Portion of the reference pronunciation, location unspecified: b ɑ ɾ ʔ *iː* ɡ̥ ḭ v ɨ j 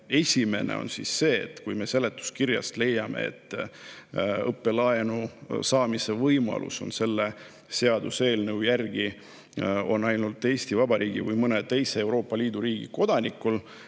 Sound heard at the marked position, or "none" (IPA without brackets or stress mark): iː